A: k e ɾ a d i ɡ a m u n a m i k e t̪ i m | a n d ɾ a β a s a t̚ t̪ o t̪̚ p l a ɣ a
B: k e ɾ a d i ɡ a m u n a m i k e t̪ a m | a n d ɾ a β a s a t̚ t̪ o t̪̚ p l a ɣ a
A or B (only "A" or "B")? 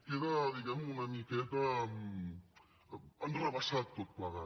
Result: B